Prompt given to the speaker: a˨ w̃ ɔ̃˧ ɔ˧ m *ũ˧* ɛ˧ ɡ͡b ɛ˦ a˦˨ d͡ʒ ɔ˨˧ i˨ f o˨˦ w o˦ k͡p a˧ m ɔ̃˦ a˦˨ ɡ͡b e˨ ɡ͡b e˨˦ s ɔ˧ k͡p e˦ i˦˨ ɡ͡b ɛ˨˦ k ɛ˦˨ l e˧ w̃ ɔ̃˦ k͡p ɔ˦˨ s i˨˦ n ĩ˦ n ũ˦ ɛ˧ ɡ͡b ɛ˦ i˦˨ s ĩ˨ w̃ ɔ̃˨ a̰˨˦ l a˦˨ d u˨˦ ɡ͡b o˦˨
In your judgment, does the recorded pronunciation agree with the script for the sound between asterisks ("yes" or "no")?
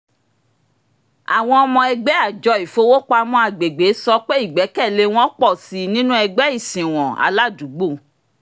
no